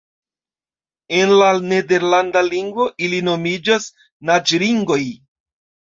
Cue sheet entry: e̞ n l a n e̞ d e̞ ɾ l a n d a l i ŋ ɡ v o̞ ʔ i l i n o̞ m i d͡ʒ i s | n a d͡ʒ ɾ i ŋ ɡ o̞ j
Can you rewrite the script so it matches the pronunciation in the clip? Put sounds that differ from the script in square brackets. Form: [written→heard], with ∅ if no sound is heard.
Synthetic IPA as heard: e̞ n l a n e̞ d e̞ ɾ l a n d a l i ŋ ɡ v o̞ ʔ i l i n o̞ m i d͡ʒ [i→a] s | n a d͡ʒ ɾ i ŋ ɡ o̞ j